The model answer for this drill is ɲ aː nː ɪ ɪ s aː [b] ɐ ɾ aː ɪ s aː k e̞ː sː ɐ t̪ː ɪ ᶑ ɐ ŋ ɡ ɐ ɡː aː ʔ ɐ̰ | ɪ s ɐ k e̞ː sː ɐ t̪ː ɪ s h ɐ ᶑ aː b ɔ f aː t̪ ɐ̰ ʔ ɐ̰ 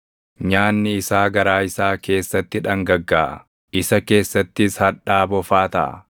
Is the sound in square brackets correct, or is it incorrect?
incorrect